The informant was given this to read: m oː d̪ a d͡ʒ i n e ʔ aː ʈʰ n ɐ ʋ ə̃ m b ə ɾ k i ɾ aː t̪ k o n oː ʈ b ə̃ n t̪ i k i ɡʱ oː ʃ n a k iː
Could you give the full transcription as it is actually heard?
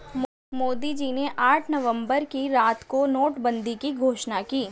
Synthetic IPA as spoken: m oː d̪ i d͡ʒ i n e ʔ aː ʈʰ n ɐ ʋ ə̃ m b ə ɾ k i ɾ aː t̪ k o n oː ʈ b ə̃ n d̪ i k i ɡʱ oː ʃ n a k iː